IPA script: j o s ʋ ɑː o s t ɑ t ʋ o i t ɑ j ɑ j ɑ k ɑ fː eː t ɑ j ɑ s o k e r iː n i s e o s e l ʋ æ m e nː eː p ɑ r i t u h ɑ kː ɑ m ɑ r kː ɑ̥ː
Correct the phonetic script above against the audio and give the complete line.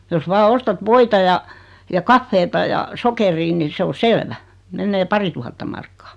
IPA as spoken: j o s ʋ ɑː o s t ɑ t ʋ o i t ɑ j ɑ j ɑ k ɑ fː eː t ɑ j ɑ s o k e r iː n i s e o s e l ʋ æ m e nː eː p ɑ r i t u h ɑ tː ɑ m ɑ r kː ɑ̥ː